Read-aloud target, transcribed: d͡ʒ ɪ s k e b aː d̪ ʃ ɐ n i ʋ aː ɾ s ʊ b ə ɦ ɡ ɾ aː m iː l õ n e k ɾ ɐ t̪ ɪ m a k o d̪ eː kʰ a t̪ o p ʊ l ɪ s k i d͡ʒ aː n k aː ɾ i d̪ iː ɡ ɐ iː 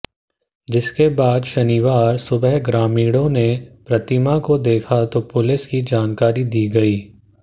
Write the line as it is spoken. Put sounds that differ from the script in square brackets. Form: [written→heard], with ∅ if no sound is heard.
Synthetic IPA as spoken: d͡ʒ ɪ s k e b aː d̪ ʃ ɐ n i ʋ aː ɾ s ʊ b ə ɦ ɡ ɾ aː m iː [l→ɽ] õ n e [k→p] ɾ ɐ t̪ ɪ m a k o d̪ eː kʰ a t̪ o p ʊ l ɪ s k i d͡ʒ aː n k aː ɾ i d̪ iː ɡ ɐ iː